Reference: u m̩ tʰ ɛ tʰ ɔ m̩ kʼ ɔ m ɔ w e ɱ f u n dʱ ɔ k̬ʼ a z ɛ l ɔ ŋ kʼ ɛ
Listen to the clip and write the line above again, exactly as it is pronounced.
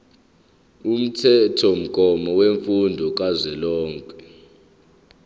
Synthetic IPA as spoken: u m̩ tʰ ɛ tʰ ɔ m̩ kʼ ɔ m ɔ w e ɱ f u n dʱ ɔ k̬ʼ a z ɛ l ɔː ŋ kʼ ɛ